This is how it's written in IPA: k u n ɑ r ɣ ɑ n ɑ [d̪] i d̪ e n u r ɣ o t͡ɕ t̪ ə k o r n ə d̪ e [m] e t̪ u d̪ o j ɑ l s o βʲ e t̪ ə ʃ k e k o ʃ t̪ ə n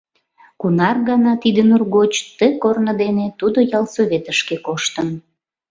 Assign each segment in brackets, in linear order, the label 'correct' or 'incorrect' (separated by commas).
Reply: incorrect, incorrect